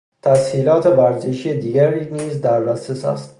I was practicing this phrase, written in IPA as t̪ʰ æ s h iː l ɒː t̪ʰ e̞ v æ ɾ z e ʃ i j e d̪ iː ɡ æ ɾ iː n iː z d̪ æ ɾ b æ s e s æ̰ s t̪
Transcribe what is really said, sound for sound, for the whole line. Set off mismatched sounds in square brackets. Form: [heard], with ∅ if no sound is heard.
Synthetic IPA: t̪ʰ æ s h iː l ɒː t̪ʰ e̞ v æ ɾ z e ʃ i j e d̪ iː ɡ æ ɾ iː n iː z d̪ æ ɾ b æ s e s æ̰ s t̪